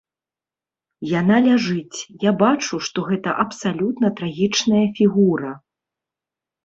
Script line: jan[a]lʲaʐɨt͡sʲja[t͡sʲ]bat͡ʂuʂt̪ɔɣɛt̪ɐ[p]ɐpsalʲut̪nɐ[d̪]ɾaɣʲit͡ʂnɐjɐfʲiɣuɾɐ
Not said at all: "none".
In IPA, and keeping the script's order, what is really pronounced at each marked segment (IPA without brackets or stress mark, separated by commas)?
a, none, ʔ, t̪